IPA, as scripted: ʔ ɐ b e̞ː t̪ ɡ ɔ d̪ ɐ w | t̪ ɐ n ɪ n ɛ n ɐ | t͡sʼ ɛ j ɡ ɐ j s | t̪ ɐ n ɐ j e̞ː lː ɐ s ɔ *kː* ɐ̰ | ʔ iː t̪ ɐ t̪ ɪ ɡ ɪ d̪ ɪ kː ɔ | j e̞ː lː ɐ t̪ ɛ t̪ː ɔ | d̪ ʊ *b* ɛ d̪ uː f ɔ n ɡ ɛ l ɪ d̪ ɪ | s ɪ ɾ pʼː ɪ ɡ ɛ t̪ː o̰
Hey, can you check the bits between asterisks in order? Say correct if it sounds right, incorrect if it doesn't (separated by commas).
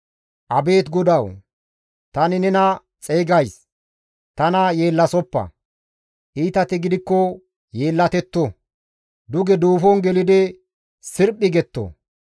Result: incorrect, incorrect